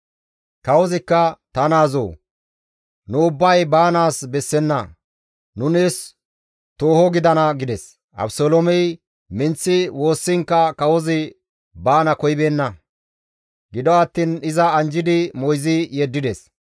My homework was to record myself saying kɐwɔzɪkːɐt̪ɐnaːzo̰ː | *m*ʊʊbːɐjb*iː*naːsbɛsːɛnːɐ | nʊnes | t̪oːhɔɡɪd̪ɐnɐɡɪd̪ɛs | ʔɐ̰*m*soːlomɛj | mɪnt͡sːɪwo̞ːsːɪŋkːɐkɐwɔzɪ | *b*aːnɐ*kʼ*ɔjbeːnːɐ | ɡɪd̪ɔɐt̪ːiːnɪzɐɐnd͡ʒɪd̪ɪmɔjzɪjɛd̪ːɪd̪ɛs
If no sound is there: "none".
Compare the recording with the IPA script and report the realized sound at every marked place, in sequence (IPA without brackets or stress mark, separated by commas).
n, aː, b, b, k